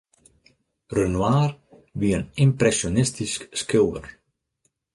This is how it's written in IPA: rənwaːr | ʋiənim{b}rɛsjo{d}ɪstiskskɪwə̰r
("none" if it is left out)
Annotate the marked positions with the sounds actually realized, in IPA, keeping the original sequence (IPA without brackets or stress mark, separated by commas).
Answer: p, n